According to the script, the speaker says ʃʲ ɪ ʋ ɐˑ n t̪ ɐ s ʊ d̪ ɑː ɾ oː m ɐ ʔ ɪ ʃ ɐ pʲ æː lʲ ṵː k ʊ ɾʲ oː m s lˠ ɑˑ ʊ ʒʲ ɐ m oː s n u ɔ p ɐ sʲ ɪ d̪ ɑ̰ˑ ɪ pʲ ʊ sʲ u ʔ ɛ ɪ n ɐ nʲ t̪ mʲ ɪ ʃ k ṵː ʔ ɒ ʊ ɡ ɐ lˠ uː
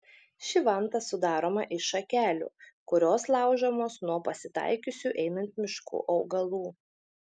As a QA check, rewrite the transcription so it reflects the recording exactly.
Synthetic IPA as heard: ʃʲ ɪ ʋ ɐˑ n t̪ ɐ s ʊ d̪ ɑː ɾ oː m ɐ ʔ ɪ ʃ ɐ kʲ æː lʲ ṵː k ʊ ɾʲ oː s lˠ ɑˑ ʊ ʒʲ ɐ m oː s n u ɔ p ɐ sʲ ɪ t̪ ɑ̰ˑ ɪ kʲ ʊ sʲ u ʔ ɛ ɪ n ɐ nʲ t̪ mʲ ɪ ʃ k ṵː ʔ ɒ ʊ ɡ ɐ lˠ uː